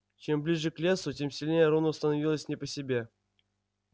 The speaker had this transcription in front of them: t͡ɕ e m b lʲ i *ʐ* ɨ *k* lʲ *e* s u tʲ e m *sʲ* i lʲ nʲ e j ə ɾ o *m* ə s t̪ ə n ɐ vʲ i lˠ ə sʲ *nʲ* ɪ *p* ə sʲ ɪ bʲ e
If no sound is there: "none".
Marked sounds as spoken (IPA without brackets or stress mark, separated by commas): ʐ, k, e, sʲ, n, nʲ, p